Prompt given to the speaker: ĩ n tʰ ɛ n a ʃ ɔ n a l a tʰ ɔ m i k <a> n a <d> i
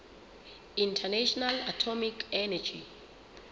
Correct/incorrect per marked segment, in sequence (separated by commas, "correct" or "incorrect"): incorrect, incorrect